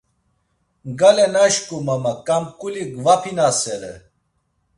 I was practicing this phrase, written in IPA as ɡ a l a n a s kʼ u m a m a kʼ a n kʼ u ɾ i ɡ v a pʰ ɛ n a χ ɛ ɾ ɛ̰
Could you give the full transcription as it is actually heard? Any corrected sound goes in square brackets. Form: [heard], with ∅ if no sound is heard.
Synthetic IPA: ɡ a l [ɛ] n a [ʃ] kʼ u m a m a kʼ a [m] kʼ u [l] i ɡ v a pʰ [i] n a [s] ɛ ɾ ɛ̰